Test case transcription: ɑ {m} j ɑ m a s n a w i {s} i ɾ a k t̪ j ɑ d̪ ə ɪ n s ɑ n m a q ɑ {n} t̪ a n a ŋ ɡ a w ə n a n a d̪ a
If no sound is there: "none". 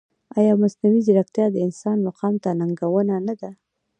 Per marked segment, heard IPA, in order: none, z, m

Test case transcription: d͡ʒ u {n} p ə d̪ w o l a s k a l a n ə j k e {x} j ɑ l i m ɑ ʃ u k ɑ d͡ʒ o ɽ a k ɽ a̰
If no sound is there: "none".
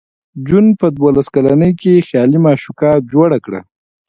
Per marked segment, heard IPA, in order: n, x

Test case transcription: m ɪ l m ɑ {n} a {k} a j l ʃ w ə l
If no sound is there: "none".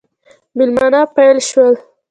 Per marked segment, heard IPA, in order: n, p

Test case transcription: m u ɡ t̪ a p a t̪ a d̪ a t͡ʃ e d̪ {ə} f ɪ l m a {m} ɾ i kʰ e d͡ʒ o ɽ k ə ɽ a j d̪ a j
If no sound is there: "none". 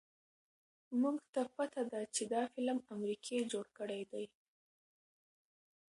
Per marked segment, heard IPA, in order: ɑ, m

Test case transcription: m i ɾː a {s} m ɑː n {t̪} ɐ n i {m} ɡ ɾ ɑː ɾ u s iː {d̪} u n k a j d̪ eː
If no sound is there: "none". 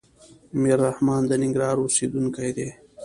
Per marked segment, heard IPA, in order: h, d̪, ŋ, d̪

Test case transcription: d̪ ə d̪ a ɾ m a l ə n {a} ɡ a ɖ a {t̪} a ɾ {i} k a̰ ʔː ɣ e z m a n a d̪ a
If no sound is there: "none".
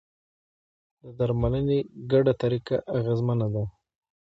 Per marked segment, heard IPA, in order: e, t̪, i

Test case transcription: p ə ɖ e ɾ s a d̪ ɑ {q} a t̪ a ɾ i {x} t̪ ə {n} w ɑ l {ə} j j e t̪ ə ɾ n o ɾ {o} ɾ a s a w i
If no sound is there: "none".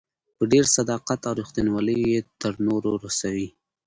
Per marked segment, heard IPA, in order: q, x, n, ə, o

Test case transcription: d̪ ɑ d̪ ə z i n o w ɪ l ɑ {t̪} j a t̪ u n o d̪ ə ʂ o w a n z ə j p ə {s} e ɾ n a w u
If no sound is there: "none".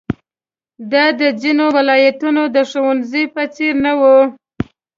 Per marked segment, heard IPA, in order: none, t͡s

